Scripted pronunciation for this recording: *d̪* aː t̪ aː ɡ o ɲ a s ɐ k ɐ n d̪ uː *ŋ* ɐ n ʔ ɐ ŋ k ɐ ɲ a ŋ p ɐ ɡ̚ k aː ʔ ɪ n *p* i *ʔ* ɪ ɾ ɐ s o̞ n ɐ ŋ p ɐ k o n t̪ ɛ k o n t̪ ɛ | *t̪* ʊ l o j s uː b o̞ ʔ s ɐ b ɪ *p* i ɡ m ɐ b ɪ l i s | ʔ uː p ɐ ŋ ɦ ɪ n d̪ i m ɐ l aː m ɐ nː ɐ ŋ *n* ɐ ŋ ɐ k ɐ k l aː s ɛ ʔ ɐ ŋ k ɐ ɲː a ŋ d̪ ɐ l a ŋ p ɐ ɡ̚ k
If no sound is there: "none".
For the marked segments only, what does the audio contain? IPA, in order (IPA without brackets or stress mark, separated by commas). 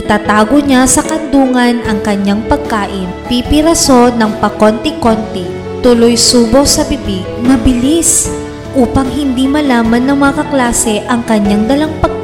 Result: t̪, ŋ, p, p, t̪, b, m